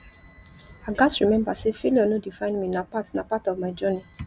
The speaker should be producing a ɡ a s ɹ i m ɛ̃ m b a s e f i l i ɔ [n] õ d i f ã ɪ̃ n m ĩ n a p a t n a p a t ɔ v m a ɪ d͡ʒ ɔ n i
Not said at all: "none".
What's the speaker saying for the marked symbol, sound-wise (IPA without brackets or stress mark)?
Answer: n